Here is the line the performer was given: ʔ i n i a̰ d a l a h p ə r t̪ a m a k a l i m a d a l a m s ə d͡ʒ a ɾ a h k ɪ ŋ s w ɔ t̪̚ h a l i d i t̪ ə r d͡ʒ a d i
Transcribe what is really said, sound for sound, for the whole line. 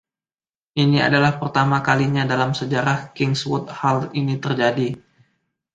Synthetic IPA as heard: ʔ i n i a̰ d a l a h p ə r t̪ a m a k a l i ɲ a d a l a m s ə d͡ʒ a ɾ a h k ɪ ŋ s w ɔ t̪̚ h a l i n i t̪ ə r d͡ʒ a d i

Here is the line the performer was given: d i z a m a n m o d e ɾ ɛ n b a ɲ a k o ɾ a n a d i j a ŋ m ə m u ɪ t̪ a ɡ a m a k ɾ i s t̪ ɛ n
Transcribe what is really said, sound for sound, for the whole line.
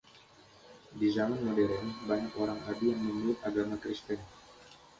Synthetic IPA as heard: d i z a m a n m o d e ɾ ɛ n b a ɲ a k o ɾ a ŋ a d i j a ŋ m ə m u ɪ t̪ a ɡ a m a k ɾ i s t̪ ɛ n

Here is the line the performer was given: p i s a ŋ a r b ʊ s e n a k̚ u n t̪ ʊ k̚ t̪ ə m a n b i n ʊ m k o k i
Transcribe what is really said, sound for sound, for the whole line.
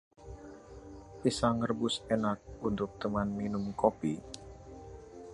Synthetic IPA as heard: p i s a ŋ ə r b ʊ s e n a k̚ u n t̪ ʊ k̚ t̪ ə m a n m i n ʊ m k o p i

